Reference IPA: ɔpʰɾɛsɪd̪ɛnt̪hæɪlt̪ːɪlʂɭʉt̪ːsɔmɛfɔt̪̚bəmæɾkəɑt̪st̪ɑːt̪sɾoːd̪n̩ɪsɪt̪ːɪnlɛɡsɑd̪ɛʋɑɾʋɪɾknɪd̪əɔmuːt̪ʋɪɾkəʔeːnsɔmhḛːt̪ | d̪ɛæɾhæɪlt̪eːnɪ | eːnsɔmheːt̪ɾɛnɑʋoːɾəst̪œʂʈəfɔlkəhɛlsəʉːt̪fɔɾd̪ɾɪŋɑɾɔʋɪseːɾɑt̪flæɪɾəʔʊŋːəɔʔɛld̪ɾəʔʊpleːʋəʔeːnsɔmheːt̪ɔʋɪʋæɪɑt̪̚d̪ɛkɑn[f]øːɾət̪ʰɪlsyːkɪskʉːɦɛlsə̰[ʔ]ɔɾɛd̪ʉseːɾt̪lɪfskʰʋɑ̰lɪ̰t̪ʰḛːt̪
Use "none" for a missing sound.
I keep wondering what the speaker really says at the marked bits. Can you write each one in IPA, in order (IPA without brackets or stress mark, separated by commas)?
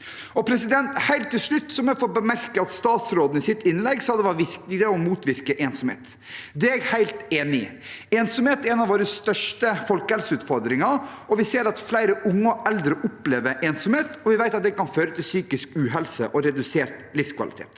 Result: f, ʔ